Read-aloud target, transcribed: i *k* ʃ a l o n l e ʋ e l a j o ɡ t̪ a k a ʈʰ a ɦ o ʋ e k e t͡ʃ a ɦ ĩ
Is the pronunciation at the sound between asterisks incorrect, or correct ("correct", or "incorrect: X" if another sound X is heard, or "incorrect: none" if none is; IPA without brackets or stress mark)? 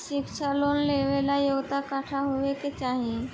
correct